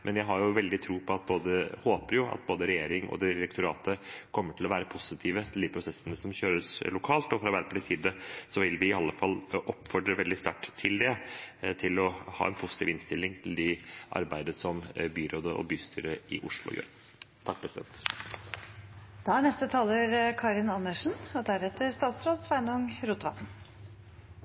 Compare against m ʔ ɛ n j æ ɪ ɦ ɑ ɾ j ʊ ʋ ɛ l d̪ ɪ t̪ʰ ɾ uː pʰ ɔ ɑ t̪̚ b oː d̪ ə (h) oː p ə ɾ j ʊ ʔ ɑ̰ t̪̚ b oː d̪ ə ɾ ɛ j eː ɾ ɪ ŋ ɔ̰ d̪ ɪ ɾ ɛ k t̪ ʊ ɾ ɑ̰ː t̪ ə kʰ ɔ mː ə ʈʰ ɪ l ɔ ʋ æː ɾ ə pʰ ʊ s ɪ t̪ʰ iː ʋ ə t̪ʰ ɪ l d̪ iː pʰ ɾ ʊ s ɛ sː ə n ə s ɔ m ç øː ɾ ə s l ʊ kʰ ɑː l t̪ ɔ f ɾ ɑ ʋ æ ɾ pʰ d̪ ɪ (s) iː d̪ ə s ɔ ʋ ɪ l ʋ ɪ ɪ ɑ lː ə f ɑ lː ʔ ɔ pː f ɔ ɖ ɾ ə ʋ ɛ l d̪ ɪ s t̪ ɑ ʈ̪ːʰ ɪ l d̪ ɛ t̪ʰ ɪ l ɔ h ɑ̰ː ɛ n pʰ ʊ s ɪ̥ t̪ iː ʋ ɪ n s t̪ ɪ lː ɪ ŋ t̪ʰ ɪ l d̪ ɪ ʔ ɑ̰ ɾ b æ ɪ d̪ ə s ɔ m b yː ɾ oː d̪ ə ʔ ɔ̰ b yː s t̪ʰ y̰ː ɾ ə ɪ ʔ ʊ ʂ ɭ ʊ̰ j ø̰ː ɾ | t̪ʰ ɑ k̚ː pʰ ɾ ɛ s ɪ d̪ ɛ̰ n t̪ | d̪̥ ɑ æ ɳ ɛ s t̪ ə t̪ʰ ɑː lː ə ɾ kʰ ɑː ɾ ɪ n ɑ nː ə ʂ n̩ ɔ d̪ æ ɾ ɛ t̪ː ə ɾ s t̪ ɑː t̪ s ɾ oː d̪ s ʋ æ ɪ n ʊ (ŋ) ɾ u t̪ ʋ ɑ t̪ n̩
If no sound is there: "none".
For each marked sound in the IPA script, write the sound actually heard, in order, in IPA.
h, s, ŋ

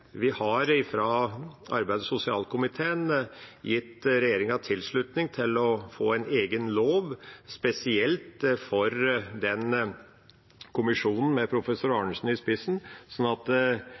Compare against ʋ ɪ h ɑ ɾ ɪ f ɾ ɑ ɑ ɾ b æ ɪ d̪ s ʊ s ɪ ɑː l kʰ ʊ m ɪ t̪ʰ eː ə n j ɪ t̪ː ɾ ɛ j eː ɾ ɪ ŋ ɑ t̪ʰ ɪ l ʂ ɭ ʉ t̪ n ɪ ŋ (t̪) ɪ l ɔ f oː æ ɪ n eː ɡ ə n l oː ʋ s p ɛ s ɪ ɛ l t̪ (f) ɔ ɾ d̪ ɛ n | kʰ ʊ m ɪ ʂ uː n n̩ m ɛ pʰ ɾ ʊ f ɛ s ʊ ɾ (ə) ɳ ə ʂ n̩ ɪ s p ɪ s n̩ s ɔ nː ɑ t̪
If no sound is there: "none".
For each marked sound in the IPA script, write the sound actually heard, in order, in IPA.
t̪ʰ, f, ɑ

